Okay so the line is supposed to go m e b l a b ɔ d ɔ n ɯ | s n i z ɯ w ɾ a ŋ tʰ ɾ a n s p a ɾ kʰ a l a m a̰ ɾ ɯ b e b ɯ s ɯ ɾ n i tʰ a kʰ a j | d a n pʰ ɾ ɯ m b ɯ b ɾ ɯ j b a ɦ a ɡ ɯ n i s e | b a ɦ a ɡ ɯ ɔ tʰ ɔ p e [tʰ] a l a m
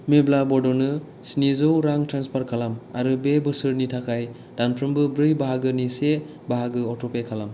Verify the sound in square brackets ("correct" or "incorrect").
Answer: incorrect